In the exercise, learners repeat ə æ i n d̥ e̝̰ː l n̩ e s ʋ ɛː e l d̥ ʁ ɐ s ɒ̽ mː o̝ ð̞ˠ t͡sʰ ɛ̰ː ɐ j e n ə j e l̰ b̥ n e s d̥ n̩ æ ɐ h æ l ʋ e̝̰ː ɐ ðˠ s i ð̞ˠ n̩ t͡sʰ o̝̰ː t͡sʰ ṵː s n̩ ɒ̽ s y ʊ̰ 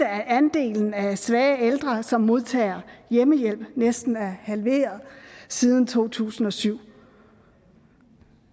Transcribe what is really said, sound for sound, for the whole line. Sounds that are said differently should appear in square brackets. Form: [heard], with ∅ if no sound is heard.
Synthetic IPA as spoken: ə æ [æ] n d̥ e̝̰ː l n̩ [æ] s ʋ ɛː e l d̥ ʁ ɐ s ɒ̽ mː o̝ ð̞ˠ t͡sʰ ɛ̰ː ɐ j e [m] ə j e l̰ b̥ n e s d̥ n̩ æ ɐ h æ l ʋ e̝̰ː ɐ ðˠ s i ð̞ˠ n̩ t͡sʰ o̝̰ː t͡sʰ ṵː s n̩ ɒ̽ s y ʊ̰

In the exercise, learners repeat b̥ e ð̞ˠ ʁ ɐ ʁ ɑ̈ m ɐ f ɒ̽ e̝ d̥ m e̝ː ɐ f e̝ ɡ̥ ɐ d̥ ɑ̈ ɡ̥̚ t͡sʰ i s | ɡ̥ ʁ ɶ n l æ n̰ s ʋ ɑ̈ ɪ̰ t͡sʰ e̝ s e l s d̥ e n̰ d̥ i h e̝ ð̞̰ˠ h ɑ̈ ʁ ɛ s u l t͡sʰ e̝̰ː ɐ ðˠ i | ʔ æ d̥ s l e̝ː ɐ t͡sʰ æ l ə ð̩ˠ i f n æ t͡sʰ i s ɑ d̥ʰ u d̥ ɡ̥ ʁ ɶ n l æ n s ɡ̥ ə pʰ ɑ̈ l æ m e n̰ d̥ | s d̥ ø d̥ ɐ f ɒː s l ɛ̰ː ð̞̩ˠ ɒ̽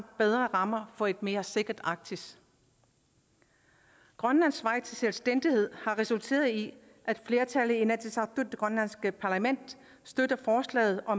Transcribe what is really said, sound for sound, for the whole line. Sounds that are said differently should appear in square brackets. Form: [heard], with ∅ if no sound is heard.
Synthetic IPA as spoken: b̥ e ð̞ˠ ʁ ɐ ʁ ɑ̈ m ɐ f ɒ̽ e̝ d̥ m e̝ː ɐ [s] e̝ ɡ̥ ɐ d̥ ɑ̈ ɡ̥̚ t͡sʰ i s | ɡ̥ ʁ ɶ n l æ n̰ s ʋ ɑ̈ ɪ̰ t͡sʰ e̝ s e l s d̥ e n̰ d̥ i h e̝ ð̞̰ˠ h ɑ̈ ʁ ɛ s u l t͡sʰ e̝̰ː ɐ ðˠ i | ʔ æ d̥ [f] l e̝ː ɐ t͡sʰ æ l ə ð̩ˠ i [∅] n æ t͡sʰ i s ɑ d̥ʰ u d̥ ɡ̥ ʁ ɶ n l æ n s ɡ̥ ə pʰ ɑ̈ l æ m e n̰ d̥ | s d̥ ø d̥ ɐ f ɒː s l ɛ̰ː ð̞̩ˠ ɒ̽

